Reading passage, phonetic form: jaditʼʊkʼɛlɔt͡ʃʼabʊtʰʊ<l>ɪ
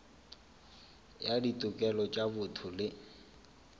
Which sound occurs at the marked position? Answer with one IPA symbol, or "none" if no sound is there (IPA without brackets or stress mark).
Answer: l